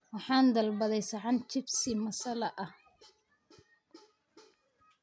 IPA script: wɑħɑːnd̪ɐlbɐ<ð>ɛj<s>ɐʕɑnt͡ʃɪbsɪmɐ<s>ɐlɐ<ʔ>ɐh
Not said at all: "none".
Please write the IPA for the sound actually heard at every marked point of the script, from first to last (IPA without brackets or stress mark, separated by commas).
ð, s, s, ʔ